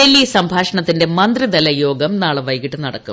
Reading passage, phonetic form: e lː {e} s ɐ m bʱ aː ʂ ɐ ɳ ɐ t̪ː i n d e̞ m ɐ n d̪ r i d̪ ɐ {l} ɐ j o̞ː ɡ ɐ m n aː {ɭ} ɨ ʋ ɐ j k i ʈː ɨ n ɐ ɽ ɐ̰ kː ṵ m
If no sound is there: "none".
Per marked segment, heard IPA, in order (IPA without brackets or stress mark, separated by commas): i, l, ɭ